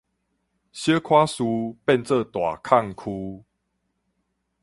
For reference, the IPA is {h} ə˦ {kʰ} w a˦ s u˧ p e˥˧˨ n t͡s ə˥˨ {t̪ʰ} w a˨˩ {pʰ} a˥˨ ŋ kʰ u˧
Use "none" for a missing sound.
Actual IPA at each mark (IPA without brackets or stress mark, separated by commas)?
ɕ, kʰ, t̪, kʰ